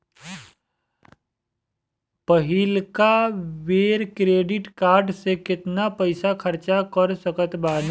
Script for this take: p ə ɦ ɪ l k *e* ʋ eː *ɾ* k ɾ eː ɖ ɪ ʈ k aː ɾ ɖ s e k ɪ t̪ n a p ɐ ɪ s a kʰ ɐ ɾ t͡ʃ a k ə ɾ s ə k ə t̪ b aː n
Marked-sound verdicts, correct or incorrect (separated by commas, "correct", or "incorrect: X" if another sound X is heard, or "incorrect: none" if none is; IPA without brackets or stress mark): incorrect: a, correct